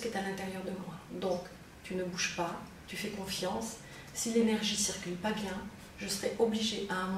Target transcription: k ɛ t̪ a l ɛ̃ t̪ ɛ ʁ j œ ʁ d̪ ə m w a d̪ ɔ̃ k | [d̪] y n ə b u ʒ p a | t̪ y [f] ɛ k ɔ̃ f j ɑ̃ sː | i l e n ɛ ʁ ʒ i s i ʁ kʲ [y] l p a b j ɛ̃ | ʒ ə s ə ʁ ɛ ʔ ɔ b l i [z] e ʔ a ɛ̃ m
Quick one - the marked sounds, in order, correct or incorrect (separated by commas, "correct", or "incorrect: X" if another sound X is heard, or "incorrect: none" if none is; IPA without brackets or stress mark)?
incorrect: t̪, correct, correct, incorrect: ʒ